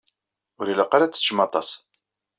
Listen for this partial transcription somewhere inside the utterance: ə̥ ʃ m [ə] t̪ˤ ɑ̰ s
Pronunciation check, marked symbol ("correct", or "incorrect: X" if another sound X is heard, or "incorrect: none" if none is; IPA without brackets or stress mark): incorrect: ɑ